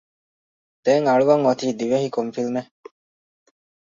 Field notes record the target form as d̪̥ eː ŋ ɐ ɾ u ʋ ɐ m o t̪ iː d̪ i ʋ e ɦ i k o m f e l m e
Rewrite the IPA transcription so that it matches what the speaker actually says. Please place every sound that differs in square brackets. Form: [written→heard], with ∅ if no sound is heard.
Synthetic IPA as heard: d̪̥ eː ŋ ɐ [ɾ→ɭ] u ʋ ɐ [m→ŋ] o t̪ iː d̪ i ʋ e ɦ i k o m f [e→i] l m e